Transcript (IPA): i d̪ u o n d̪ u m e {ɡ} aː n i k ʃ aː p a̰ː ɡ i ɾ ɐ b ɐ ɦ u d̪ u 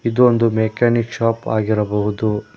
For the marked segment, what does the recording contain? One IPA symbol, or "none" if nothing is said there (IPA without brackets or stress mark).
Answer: k